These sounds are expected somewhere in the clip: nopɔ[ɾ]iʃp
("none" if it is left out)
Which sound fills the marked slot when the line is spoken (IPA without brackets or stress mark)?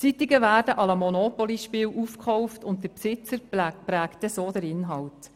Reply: l